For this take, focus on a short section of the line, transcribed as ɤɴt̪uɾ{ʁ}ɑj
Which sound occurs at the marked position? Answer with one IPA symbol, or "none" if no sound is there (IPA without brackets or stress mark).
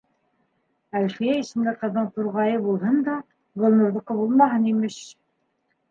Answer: ʁ